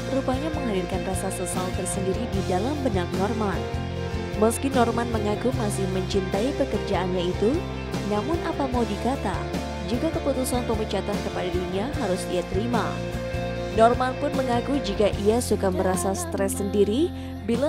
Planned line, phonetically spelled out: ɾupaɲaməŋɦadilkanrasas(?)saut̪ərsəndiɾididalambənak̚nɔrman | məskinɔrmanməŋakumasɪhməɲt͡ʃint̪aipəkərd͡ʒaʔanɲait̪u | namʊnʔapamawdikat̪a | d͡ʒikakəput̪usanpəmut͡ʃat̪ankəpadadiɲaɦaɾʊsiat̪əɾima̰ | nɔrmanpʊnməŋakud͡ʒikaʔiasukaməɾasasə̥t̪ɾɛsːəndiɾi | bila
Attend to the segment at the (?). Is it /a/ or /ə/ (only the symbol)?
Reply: ə